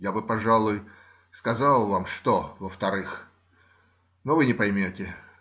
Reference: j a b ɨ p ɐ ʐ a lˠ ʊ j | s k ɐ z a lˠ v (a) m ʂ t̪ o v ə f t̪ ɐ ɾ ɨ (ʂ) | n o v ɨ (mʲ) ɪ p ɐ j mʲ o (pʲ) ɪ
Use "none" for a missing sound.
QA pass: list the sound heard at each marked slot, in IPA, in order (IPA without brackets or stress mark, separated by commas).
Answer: a, x, nʲ, tʲ